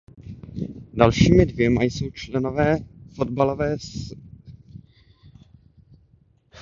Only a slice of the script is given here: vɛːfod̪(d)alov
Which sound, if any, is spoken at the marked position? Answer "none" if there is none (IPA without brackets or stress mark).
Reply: b